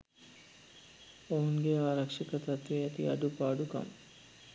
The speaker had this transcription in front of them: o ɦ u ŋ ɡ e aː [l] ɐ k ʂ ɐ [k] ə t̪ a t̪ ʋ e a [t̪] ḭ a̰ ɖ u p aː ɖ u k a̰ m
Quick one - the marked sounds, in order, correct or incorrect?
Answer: incorrect: ɾ, correct, correct

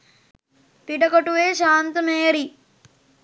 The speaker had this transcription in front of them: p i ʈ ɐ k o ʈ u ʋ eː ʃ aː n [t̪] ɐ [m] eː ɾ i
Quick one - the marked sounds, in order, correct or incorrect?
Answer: correct, correct

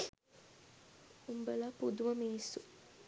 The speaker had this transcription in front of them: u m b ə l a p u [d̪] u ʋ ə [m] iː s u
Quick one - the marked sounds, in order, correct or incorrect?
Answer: correct, correct

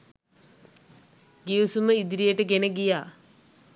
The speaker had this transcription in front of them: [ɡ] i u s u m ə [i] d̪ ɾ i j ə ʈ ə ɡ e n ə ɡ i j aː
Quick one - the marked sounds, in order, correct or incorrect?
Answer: correct, correct

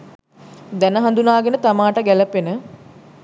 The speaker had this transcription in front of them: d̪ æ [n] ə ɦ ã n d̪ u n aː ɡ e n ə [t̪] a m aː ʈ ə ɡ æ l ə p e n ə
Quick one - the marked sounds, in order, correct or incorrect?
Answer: correct, correct

